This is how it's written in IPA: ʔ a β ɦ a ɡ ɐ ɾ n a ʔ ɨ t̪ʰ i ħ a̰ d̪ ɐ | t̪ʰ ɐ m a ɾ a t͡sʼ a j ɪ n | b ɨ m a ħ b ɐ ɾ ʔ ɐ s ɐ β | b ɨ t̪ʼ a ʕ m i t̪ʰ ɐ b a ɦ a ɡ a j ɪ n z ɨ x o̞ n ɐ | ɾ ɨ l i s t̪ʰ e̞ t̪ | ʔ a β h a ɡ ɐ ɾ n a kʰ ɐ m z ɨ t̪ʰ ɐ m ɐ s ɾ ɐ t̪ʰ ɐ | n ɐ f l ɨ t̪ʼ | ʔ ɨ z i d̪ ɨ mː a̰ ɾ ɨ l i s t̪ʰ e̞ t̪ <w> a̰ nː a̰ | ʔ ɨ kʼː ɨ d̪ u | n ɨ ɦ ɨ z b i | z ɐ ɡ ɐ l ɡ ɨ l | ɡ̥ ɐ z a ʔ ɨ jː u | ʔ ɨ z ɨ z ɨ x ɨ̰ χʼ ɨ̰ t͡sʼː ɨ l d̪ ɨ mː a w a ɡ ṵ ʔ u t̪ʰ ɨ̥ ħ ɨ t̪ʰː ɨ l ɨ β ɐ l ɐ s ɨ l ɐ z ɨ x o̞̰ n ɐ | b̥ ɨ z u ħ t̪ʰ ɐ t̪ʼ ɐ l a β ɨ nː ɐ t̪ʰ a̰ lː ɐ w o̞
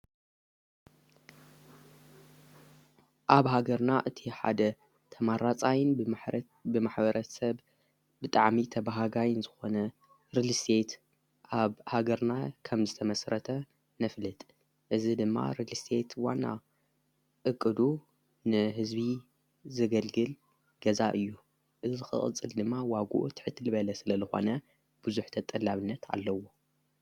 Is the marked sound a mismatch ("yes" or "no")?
no